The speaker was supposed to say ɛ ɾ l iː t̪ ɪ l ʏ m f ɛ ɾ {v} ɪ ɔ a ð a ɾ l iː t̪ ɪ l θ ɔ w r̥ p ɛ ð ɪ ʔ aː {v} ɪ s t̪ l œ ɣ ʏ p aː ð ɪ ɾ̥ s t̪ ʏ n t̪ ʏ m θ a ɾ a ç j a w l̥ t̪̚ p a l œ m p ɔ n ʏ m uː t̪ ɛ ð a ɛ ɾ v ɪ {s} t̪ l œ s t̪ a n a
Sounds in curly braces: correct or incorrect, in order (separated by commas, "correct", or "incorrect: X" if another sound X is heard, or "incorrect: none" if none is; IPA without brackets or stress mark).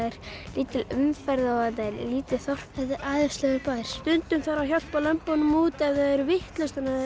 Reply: incorrect: ð, incorrect: ð, incorrect: h